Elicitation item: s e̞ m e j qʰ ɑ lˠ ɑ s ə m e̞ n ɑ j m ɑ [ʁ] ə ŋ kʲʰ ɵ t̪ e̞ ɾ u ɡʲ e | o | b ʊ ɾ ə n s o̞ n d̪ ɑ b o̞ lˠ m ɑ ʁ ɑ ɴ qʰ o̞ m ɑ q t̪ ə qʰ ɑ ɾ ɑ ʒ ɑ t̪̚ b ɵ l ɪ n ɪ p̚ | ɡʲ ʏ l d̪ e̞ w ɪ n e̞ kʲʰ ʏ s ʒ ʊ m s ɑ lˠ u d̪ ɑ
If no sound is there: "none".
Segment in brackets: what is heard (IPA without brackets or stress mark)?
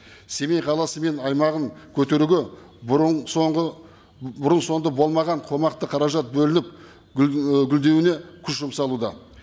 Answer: ʁ